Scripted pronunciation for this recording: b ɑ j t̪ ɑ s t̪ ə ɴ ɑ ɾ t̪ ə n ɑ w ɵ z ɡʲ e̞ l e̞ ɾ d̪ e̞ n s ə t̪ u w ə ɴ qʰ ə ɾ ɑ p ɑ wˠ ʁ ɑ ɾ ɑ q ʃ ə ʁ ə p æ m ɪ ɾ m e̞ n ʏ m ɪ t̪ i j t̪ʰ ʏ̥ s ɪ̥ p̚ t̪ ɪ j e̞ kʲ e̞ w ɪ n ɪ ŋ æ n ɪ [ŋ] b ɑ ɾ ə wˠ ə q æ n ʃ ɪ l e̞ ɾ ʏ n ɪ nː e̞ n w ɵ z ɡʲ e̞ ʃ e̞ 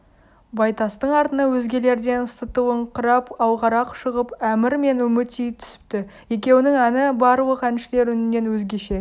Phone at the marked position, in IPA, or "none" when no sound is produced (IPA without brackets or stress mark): none